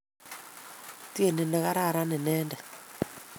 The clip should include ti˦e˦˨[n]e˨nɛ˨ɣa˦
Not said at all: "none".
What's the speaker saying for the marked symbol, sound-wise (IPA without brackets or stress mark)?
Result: n